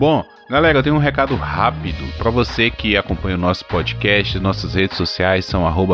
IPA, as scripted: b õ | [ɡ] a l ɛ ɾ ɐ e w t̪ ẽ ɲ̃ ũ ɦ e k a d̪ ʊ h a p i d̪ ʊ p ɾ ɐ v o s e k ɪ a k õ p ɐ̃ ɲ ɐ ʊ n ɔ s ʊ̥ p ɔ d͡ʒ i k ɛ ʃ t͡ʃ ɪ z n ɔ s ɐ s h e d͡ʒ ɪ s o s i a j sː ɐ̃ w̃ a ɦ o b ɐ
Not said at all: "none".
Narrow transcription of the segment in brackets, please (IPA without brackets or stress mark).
ɡ